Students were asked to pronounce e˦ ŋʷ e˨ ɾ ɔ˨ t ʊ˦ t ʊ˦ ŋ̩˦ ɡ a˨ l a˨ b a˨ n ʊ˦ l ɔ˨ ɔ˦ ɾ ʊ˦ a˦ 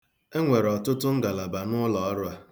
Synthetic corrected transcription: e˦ ŋʷ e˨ ɾ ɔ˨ t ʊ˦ t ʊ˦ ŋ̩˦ ɡ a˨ l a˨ b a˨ n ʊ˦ l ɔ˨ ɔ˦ ɾ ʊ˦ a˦